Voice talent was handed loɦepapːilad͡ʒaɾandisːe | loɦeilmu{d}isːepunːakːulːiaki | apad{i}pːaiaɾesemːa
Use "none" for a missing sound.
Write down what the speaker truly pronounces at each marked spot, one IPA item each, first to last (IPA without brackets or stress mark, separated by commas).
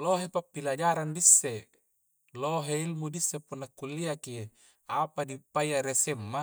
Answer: d, i